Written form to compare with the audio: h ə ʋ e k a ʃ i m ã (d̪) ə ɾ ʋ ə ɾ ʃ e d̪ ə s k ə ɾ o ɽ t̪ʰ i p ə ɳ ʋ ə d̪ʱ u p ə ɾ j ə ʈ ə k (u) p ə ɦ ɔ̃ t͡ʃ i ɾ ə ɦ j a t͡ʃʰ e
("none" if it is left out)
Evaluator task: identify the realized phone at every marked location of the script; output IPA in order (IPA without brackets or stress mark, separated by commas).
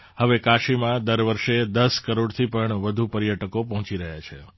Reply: d̪, o